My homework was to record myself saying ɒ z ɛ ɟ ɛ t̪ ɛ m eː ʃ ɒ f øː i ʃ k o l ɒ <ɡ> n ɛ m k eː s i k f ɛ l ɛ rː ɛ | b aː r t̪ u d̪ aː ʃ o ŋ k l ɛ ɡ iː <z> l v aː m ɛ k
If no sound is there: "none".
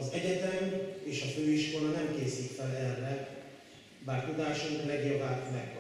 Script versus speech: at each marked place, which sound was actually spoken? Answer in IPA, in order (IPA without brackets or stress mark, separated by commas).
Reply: none, none